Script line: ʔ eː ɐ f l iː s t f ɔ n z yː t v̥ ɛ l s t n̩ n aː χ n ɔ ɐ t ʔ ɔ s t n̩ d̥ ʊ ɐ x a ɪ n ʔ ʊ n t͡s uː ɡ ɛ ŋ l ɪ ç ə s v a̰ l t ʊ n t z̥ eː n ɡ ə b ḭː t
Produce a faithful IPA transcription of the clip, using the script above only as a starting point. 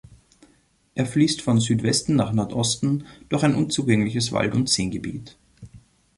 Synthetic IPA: ʔ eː ɐ f l iː s t f ɔ n z yː t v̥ ɛ s t n̩ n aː χ n ɔ ɐ t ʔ ɔ s t n̩ d̥ ʊ ɐ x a ɪ n ʔ ʊ n t͡s uː ɡ ɛ ŋ l ɪ ç ə s v a̰ l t ʊ n t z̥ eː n ɡ ə b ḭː t